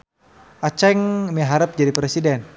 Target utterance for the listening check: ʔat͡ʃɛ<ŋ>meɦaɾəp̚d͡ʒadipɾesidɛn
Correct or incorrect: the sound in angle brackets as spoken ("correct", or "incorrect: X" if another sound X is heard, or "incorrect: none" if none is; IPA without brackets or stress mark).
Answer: correct